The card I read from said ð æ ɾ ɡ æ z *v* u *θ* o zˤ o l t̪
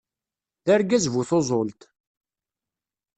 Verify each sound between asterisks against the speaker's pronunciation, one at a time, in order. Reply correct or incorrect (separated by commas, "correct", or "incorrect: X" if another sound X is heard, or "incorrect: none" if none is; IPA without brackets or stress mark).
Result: correct, correct